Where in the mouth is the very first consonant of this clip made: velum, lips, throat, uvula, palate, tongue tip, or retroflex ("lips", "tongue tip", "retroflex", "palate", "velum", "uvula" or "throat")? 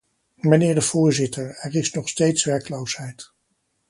lips